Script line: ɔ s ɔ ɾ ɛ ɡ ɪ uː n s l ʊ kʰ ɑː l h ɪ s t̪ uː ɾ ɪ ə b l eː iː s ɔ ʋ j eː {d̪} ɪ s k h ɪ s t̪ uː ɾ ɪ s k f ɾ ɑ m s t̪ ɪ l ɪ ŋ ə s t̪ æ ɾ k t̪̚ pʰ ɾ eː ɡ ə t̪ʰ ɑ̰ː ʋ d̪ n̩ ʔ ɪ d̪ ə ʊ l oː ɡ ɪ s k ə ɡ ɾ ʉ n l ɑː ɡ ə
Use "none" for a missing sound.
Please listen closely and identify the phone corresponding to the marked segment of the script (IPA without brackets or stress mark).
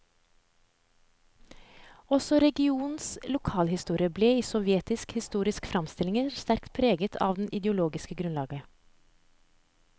t̪